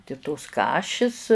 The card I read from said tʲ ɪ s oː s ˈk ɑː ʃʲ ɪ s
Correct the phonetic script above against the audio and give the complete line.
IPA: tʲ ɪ t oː s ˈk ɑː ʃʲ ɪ s

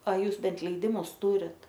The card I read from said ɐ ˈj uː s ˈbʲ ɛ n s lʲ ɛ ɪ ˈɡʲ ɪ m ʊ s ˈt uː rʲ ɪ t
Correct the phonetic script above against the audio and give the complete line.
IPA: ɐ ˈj uː s ˈbʲ ɛ n t lʲ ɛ ɪ ˈdʲ ɪ m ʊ s ˈt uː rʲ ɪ t

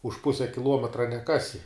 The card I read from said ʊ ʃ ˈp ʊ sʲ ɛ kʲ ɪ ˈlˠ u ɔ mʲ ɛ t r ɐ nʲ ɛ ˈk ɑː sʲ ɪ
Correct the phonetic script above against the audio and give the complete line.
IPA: ʊ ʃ ˈp ʊ sʲ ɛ kʲ ɪ ˈlˠ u ɔ mʲ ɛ t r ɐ nʲ ɛ ˈk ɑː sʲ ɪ

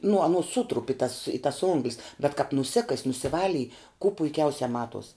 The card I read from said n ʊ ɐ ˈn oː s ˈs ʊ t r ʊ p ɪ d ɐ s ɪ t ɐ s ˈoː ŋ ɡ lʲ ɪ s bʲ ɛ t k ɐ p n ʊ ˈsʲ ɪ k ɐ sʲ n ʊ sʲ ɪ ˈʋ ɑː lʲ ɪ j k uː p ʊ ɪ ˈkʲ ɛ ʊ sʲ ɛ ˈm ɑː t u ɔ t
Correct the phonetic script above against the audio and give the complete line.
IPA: n ʊ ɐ ˈn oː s ˈs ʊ t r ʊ p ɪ t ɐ s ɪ t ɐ s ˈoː ŋ ɡ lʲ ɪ s bʲ ɛ t k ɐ p n ʊ ˈsʲ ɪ k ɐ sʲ n ʊ sʲ ɪ ˈʋ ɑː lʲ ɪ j k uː p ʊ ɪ ˈkʲ ɛ ʊ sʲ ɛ ˈm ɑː t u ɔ s

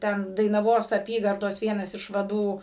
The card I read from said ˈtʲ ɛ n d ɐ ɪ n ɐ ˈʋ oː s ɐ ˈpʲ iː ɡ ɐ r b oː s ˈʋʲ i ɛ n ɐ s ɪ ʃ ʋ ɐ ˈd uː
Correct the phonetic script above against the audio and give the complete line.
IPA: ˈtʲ ɛ n d ɐ ɪ n ɐ ˈʋ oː s ɐ ˈpʲ iː ɡ ɐ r d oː s ˈʋʲ i ɛ n ɐ s ɪ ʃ ʋ ɐ ˈd uː

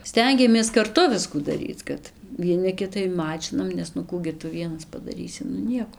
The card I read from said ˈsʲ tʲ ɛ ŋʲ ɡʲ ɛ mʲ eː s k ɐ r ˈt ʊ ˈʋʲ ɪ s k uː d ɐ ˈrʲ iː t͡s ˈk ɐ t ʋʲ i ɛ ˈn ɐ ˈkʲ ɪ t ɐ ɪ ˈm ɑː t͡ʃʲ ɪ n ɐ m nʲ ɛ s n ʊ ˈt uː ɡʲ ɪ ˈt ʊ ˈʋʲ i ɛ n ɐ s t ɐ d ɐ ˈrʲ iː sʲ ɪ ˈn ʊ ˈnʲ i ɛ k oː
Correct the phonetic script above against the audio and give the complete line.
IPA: ˈsʲ tʲ ɛ ŋʲ ɡʲ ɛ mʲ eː s k ɐ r ˈt ʊ ˈʋʲ ɪ s k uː d ɐ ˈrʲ iː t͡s ˈk ɐ t ʋʲ i ɛ ˈn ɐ ˈkʲ ɪ t ɐ ɪ ˈm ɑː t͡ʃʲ ɪ n ɐ m nʲ ɛ s n ʊ ˈk uː ɡʲ ɪ ˈt ʊ ˈʋʲ i ɛ n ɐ s p ɐ d ɐ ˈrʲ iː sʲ ɪ ˈn ʊ ˈnʲ i ɛ k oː

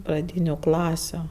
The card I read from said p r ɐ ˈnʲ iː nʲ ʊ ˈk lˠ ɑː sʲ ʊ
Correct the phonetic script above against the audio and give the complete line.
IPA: p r ɐ ˈdʲ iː nʲ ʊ ˈk lˠ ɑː sʲ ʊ

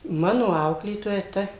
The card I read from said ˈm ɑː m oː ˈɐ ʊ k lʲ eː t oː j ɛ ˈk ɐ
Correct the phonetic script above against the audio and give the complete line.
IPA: ˈm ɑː n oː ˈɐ ʊ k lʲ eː t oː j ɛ ˈt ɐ

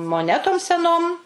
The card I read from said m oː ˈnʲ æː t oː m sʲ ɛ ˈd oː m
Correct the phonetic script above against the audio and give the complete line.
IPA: m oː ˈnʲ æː t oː m sʲ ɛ ˈn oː m

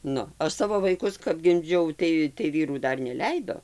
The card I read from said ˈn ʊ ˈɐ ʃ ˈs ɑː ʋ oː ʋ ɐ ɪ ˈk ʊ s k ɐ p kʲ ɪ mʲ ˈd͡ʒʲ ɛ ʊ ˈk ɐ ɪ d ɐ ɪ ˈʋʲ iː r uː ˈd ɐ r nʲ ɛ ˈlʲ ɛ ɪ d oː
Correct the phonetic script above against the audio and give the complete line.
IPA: ˈn ʊ ˈɐ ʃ ˈs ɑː ʋ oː ʋ ɐ ɪ ˈk ʊ s k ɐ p ɡʲ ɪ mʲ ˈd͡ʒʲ ɛ ʊ ˈt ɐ ɪ t ɐ ɪ ˈʋʲ iː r uː ˈd ɐ r nʲ ɛ ˈlʲ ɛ ɪ d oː

